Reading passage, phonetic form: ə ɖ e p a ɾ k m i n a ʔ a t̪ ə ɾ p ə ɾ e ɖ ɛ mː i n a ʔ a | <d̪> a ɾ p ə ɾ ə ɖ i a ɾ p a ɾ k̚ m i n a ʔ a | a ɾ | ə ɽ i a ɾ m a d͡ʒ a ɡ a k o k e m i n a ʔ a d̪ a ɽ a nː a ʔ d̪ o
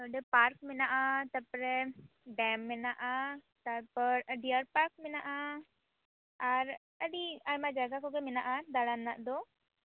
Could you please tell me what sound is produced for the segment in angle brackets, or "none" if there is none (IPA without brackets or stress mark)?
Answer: t̪